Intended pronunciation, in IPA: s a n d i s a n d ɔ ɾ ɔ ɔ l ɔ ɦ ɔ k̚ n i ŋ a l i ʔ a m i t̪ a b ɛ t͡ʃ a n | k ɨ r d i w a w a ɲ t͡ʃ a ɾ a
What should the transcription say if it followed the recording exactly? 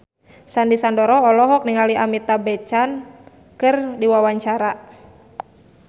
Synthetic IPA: s a n d i s a n d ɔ ɾ ɔ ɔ l ɔ ɦ ɔ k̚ n i ŋ a l i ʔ a m i t̪ a b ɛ t͡ʃ a n | k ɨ r d i w a w a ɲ t͡ʃ a ɾ a

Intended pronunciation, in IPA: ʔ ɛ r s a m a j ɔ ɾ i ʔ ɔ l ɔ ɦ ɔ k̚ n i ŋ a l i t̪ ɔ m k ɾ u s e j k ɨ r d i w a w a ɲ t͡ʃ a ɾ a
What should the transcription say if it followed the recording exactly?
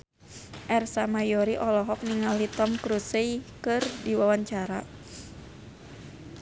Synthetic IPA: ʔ ɛ r s a m a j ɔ ɾ i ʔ ɔ l ɔ ɦ ɔ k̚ n i ŋ a l i t̪ ɔ m k ɾ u s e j k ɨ r d i w a w a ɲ t͡ʃ a ɾ a

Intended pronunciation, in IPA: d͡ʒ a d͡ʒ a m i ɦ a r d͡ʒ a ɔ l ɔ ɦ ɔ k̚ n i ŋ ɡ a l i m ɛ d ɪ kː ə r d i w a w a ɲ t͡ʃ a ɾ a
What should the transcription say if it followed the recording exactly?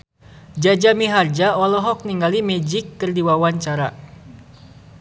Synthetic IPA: d͡ʒ a d͡ʒ a m i ɦ a r d͡ʒ a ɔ l ɔ ɦ ɔ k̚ n i ŋ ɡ a l i m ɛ d͡ʒ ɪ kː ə r d i w a w a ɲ t͡ʃ a ɾ a

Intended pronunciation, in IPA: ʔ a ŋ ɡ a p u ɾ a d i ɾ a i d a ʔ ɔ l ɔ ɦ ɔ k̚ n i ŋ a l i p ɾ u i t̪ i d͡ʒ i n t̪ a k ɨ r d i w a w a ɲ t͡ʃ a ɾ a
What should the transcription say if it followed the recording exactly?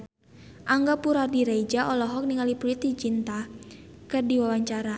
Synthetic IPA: ʔ a ŋ ɡ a p u ɾ a d i ɾ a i d͡ʒ a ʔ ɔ l ɔ ɦ ɔ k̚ n i ŋ a l i p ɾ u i t̪ i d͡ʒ i n t̪ a k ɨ r d i w a w a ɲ t͡ʃ a ɾ a

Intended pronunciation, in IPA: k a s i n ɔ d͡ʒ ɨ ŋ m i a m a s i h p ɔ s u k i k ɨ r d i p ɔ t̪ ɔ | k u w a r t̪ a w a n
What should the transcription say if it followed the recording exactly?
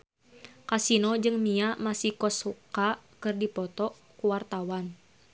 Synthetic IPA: k a s i n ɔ d͡ʒ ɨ ŋ m i a m a s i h k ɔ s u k a k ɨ r d i p ɔ t̪ ɔ | k u w a r t̪ a w a n

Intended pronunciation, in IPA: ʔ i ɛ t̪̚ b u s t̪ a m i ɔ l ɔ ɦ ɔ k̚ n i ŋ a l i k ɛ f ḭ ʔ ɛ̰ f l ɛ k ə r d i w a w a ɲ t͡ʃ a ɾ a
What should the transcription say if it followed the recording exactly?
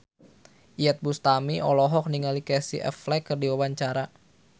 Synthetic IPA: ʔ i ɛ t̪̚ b u s t̪ a m i ɔ l ɔ ɦ ɔ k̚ n i ŋ a l i k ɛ s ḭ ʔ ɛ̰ f l ɛ k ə r d i w a w a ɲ t͡ʃ a ɾ a

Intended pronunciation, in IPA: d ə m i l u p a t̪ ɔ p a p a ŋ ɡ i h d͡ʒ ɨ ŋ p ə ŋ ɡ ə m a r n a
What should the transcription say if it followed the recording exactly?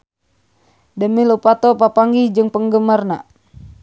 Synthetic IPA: d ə m i l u p a t̪ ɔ p a p a ŋ ɡ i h d͡ʒ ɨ ŋ p ə ŋ ɡ ə m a r n a

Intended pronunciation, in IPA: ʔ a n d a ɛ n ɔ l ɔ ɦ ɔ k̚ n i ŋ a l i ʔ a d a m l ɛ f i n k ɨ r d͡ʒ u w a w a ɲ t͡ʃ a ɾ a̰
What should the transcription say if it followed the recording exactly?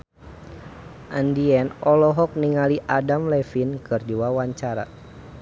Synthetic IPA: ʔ a n d i ɛ n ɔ l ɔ ɦ ɔ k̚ n i ŋ a l i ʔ a d a m l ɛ f i n k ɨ r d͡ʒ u w a w a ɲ t͡ʃ a ɾ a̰

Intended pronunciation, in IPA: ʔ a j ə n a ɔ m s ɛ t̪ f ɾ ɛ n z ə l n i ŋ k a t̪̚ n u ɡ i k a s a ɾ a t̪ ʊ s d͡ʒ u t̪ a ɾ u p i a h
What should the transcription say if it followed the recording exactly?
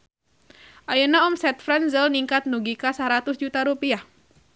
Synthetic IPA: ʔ a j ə n a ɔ m s ɛ t̪ f ɾ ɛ n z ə l n i ŋ k a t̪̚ n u ɡ i k a s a ɾ a t̪ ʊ s d͡ʒ u t̪ a ɾ u p i a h

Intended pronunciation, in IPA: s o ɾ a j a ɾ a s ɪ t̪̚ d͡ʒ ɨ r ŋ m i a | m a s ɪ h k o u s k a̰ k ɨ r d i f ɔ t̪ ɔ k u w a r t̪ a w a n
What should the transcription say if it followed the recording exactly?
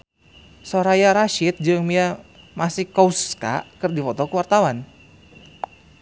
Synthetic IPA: s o ɾ a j a ɾ a ʃ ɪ t̪̚ d͡ʒ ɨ ŋ m i a | m a s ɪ h k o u s k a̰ k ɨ r d i f ɔ t̪ ɔ k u w a r t̪ a w a n

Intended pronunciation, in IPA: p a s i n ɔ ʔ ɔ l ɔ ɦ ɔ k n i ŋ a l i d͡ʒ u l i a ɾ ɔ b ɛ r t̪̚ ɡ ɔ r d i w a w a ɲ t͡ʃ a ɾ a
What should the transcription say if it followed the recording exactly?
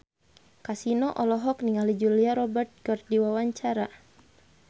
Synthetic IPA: k a s i n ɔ ʔ ɔ l ɔ ɦ ɔ k n i ŋ a l i d͡ʒ u l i a ɾ ɔ b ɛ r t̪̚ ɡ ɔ r d i w a w a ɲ t͡ʃ a ɾ a

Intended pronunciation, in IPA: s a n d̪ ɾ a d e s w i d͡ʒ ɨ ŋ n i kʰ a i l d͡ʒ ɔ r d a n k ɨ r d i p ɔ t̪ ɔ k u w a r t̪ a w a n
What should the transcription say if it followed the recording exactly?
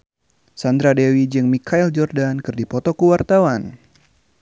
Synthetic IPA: s a n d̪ ɾ a d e w i d͡ʒ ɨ ŋ m i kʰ a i l d͡ʒ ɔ r d a n k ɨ r d i p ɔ t̪ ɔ k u w a r t̪ a w a n

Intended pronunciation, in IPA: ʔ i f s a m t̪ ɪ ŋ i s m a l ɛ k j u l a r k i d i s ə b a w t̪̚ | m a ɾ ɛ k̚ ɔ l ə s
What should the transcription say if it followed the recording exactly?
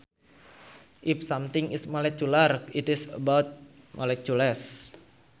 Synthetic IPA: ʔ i f s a m t̪ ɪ ŋ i s m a l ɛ k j u l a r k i t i s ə b a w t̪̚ | m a l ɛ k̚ u l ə s

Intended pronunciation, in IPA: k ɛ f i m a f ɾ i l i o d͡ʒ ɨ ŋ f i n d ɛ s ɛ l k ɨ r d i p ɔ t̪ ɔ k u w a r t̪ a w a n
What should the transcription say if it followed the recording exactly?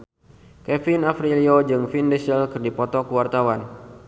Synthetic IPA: k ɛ f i n a f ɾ i l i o d͡ʒ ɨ ŋ f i n d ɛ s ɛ l k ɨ r d i p ɔ t̪ ɔ k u w a r t̪ a w a n

